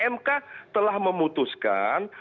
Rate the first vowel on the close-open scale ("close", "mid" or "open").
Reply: mid